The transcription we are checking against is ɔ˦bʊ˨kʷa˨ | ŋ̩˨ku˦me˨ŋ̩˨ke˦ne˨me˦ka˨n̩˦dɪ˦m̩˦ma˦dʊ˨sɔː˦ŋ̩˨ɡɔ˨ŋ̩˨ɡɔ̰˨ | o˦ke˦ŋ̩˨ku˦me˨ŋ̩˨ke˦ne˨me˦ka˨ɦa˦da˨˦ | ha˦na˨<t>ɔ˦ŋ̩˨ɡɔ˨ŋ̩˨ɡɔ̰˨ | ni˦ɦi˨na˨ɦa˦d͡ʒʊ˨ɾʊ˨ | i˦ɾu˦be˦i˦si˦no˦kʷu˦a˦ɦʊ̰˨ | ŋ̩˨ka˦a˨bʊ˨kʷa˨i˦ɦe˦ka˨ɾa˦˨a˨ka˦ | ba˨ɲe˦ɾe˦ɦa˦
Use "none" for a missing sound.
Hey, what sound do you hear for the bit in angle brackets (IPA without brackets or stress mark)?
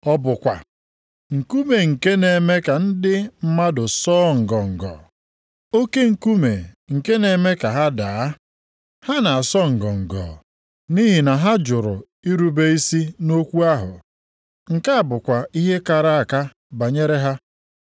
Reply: s